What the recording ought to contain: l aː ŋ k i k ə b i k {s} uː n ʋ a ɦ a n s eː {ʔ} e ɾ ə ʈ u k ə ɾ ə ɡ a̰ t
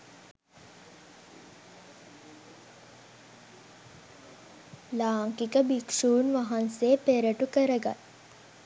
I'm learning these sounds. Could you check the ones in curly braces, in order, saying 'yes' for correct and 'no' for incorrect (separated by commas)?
no, no